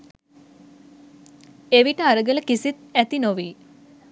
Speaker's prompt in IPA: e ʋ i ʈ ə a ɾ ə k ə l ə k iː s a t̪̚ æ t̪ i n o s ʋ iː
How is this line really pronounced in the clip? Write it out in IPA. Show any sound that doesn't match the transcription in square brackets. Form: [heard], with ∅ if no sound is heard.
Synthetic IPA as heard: e ʋ i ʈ ə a ɾ ə [ɡ] ə l ə k [i] s [i] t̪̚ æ t̪ i n o [∅] ʋ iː

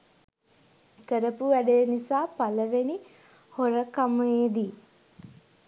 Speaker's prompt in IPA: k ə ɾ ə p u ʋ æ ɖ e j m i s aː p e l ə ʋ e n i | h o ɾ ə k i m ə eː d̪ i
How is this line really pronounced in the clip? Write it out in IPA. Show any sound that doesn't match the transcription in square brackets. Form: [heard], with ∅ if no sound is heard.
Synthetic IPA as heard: k ə ɾ ə p u ʋ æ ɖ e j [n] i s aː p [a] l ə ʋ e n i | h o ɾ ə k [a] m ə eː d̪ i

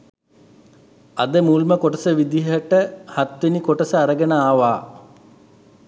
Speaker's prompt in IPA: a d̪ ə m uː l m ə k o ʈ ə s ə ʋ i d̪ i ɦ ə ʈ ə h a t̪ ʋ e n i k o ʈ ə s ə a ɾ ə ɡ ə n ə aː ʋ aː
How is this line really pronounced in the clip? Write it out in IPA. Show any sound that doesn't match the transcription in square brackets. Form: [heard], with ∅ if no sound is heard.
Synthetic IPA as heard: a d̪ ə m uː l m ə k o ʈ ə s ə ʋ i d̪ i ɦ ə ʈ ə h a t̪ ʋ e n i k o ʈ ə s ə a ɾ ə ɡ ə n ə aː ʋ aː

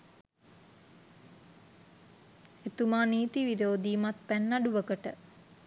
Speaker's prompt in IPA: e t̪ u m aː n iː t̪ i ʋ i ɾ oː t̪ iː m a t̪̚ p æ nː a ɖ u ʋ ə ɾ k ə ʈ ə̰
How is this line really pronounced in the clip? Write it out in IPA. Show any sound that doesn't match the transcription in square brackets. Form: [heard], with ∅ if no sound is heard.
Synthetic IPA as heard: e t̪ u m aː n iː t̪ i ʋ i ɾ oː [d̪] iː m a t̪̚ p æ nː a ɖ u ʋ ə [∅] k ə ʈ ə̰

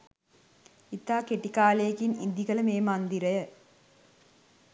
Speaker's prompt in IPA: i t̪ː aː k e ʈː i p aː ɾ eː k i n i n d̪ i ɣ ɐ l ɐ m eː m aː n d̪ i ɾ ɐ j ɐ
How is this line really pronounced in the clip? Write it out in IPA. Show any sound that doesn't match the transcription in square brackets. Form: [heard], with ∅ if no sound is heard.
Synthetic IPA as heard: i t̪ː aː k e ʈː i [k] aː [l] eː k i n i n d̪ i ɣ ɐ l ɐ m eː m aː n d̪ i ɾ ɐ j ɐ

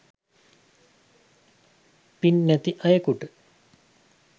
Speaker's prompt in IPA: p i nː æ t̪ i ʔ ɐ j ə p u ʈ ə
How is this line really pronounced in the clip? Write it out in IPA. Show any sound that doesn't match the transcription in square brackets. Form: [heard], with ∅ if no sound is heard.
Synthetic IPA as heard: p i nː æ t̪ i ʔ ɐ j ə [k] u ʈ ə

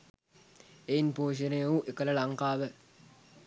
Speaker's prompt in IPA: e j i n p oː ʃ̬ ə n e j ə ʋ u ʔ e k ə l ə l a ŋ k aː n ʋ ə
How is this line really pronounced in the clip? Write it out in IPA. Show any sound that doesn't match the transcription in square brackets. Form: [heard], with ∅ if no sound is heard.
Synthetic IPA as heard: e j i n p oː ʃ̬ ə n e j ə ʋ u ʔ e k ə l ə l a ŋ k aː [∅] ʋ ə

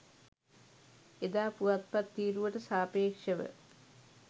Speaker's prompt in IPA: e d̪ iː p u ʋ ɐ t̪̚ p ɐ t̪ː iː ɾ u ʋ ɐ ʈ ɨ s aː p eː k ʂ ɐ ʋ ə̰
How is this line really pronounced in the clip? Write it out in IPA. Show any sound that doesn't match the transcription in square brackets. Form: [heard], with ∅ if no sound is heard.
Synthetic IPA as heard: e d̪ [aː] p u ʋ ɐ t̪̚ p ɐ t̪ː iː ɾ u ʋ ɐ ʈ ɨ s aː p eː k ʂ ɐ ʋ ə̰

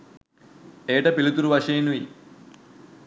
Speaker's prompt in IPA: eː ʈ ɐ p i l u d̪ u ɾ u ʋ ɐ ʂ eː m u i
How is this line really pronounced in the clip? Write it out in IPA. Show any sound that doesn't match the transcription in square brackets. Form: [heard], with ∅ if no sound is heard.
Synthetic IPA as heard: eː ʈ ɐ p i l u [t̪] u ɾ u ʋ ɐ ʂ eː [n] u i

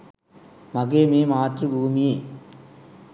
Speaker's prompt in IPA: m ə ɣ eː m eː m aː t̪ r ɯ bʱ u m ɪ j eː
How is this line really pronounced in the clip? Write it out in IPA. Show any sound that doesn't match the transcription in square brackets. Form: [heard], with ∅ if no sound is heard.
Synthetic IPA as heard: m [ɐ] ɣ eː m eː m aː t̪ r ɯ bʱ [uː] m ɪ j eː

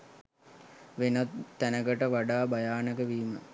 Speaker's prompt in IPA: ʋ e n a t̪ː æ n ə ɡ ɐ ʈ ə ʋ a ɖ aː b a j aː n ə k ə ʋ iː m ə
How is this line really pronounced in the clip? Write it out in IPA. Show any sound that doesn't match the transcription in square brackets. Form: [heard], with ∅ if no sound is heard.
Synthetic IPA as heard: ʋ e n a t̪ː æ n ə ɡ [ə] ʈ ə ʋ a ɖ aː b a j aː n ə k ə ʋ iː m ə

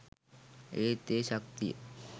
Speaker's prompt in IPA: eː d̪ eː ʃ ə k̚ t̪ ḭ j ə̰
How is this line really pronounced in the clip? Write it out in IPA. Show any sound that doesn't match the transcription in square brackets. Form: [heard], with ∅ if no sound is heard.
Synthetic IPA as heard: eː [t̪] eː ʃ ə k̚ t̪ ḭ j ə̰

